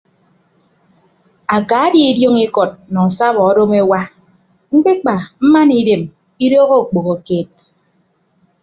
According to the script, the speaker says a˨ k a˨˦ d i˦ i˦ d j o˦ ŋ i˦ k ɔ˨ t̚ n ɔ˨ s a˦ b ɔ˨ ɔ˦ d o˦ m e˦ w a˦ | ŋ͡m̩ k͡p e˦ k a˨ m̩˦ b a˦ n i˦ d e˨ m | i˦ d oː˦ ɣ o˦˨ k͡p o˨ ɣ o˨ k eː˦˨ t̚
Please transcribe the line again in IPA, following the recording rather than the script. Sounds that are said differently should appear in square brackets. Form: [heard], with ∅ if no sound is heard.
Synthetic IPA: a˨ k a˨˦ d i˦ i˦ d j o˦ ŋ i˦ k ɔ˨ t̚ n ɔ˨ s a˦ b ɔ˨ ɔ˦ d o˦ m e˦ w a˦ | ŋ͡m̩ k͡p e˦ [k͡p] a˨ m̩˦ [m] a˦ n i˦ d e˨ m | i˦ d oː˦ ɣ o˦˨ k͡p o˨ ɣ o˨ k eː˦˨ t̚